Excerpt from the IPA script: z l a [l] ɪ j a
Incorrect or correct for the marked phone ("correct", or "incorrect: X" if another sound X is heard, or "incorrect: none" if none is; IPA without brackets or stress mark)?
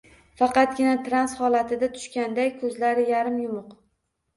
incorrect: ɾ